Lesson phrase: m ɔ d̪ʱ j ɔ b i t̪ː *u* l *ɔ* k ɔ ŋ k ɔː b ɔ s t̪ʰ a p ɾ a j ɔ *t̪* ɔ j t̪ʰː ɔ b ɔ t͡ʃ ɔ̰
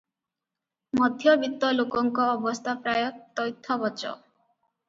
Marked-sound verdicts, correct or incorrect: incorrect: ɔ, incorrect: o, correct

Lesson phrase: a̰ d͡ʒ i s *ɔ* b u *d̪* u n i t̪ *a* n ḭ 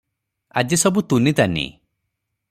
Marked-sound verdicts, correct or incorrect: correct, incorrect: t̪, correct

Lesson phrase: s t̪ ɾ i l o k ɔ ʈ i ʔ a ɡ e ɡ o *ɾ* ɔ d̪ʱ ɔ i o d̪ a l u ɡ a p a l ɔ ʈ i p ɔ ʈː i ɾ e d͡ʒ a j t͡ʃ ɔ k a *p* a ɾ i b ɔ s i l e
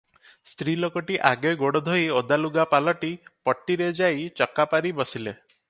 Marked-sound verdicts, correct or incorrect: incorrect: ɽ, correct

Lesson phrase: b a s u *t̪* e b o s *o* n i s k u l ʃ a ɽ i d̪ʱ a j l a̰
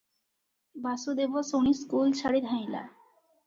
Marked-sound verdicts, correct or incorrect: incorrect: d̪, correct

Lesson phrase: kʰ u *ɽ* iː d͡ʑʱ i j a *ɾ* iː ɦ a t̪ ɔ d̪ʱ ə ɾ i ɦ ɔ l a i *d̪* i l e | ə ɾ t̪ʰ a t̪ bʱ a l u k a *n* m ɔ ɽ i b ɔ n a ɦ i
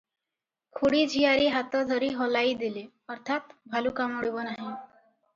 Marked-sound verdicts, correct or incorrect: correct, correct, correct, incorrect: none

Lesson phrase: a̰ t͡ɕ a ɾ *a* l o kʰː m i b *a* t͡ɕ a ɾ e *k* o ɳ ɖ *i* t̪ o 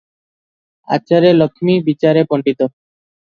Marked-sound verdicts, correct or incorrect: incorrect: e, incorrect: i, incorrect: p, correct

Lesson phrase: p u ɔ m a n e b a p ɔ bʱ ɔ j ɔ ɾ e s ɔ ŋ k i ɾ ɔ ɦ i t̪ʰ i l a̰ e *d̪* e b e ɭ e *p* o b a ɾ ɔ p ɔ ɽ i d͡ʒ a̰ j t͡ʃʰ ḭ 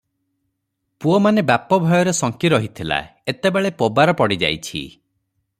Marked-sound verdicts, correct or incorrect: incorrect: t̪, correct

